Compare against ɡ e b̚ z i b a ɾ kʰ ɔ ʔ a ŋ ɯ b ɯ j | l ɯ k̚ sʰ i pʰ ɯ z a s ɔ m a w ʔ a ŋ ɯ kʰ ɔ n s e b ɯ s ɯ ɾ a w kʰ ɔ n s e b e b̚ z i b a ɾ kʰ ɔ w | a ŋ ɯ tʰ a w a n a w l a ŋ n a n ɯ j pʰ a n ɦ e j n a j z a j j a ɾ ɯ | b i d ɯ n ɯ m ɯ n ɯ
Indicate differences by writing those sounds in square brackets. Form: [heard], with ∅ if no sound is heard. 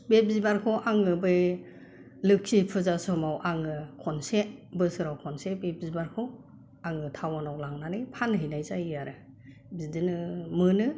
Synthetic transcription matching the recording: [b] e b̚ z i b a ɾ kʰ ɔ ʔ a ŋ ɯ b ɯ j | l ɯ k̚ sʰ i pʰ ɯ z a s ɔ m a w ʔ a ŋ ɯ kʰ ɔ n s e b ɯ s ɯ ɾ a w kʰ ɔ n s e b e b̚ z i b a ɾ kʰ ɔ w | a ŋ ɯ tʰ a w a n a w l a ŋ n a n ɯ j pʰ a n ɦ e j n a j z a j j a ɾ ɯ | b i d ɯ n ɯ m ɯ n ɯ